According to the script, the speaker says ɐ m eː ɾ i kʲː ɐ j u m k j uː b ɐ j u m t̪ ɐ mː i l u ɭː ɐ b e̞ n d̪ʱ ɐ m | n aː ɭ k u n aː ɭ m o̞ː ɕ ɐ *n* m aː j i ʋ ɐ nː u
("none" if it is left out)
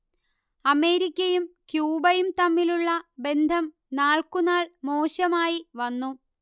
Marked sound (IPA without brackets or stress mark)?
none